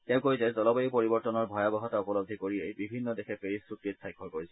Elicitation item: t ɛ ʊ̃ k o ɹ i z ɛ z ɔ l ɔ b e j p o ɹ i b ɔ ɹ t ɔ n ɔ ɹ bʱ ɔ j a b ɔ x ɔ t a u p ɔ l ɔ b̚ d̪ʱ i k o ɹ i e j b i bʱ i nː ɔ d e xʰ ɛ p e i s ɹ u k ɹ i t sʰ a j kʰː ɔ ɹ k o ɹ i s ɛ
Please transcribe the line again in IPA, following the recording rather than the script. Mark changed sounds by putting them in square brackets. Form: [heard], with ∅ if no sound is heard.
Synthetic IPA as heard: t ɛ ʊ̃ k o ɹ i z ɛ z ɔ l ɔ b e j p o ɹ i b ɔ ɹ t ɔ n ɔ ɹ bʱ ɔ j a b ɔ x ɔ t a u p ɔ l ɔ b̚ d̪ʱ i k o ɹ i e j b i bʱ i nː ɔ d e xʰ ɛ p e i s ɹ u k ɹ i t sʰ a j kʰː ɔ ɹ k o ɹ i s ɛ